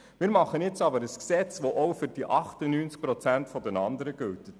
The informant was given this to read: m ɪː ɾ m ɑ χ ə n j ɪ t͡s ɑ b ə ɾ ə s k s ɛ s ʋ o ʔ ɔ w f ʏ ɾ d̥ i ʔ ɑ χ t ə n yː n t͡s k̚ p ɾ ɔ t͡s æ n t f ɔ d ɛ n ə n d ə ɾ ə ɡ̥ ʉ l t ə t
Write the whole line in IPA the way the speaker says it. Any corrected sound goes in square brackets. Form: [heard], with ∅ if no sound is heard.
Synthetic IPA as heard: m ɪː ɾ m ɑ χ ə n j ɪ t͡s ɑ b ə ɾ ə s k s ɛ [t͡s] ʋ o ʔ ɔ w f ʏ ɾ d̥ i ʔ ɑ χ t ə n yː n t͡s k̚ p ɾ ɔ t͡s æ n t f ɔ d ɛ n [ɑ] n d ə ɾ ə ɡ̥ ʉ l t ə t